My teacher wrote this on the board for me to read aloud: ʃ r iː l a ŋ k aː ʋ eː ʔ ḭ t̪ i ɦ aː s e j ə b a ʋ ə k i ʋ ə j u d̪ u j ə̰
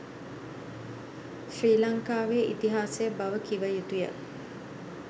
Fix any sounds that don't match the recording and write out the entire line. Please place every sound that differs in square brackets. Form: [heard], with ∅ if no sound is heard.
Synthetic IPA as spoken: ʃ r iː l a ŋ k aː ʋ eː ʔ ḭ t̪ i ɦ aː s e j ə b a ʋ ə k i ʋ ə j u [t̪] u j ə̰